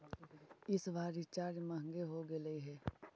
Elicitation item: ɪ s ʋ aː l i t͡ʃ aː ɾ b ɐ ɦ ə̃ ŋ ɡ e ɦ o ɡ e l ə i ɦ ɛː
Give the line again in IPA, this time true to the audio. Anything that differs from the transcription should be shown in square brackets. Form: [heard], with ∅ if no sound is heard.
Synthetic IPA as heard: ɪ s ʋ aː [ɾ] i t͡ʃ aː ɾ [m] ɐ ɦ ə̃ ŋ ɡ e ɦ o ɡ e l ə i ɦ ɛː